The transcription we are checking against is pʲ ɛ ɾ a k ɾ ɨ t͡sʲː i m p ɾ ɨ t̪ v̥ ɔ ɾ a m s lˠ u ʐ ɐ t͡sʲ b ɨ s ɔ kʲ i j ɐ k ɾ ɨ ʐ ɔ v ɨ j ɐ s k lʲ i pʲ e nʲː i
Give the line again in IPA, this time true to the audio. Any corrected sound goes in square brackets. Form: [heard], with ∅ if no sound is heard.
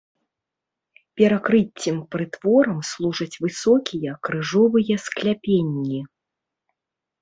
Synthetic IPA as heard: pʲ ɛ ɾ a k ɾ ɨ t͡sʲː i m p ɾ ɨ t̪ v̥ ɔ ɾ [ɐ] m s lˠ u ʐ ɐ t͡sʲ [v] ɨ s ɔ kʲ i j ɐ k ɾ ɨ ʐ ɔ v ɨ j ɐ s k lʲ [a] pʲ e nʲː i